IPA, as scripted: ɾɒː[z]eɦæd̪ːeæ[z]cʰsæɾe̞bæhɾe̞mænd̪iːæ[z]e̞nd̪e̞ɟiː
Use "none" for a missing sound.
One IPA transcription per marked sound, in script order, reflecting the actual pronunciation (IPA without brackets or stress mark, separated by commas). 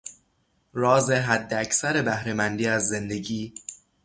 z, none, zː